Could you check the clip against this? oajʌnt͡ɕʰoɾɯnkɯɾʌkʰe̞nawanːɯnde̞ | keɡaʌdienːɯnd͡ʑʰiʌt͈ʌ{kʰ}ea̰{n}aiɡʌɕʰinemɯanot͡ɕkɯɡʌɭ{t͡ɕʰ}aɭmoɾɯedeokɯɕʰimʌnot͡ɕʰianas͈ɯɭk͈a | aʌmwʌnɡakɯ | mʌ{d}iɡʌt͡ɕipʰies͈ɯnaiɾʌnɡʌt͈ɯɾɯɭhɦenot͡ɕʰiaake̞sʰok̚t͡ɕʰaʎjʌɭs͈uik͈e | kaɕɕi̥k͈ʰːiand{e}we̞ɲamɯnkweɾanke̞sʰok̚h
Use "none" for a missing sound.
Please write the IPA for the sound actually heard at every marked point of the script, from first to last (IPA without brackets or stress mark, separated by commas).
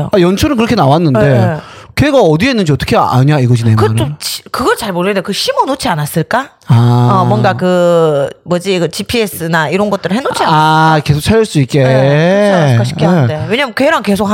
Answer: kʰ, ɲ, t͡ɕ, d͡ʑ, e